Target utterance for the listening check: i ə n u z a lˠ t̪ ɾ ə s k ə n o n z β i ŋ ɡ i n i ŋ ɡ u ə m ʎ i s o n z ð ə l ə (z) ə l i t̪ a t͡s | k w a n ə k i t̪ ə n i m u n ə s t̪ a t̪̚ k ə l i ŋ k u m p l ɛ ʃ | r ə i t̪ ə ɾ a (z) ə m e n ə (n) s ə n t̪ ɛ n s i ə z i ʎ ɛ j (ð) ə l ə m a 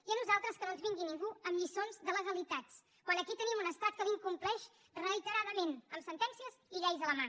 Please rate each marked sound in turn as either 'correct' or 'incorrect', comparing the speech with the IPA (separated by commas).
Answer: correct, incorrect, incorrect, incorrect